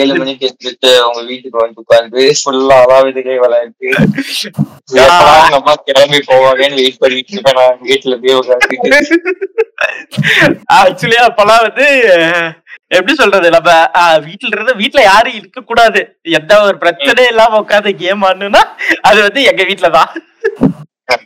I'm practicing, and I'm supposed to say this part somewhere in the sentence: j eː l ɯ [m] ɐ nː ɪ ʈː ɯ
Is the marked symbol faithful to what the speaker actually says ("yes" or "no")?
yes